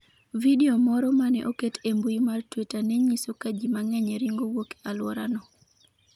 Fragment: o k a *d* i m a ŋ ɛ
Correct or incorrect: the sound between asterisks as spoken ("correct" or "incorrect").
incorrect